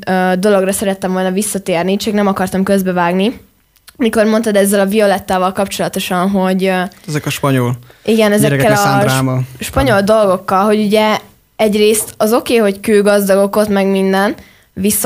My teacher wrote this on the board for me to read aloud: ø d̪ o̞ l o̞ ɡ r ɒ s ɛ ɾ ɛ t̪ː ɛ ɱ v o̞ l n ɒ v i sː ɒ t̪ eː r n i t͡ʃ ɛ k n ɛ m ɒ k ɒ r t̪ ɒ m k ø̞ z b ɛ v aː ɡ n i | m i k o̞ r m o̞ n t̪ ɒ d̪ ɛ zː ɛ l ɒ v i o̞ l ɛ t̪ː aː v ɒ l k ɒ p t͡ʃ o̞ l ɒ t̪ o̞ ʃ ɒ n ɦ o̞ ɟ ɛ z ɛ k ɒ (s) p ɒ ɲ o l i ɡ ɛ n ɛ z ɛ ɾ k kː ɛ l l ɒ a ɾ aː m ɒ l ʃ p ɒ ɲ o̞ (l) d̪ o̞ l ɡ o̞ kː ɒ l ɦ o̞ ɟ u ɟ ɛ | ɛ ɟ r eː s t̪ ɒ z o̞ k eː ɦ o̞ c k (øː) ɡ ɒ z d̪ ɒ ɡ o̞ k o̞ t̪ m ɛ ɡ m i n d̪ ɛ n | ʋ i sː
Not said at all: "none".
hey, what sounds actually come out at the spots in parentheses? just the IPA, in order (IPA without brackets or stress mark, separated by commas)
ʃ, l, øː